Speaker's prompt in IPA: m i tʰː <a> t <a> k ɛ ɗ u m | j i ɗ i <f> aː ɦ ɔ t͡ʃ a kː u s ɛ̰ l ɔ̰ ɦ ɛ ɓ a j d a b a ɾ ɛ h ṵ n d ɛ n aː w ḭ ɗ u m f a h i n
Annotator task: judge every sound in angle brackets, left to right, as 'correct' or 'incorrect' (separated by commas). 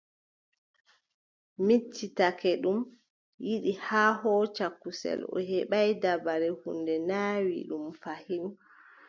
incorrect, correct, incorrect